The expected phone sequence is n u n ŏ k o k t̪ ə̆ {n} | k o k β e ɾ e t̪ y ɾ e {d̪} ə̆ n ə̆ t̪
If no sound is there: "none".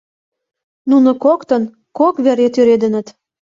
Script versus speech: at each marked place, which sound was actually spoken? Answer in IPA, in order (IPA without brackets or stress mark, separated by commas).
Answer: n, d̪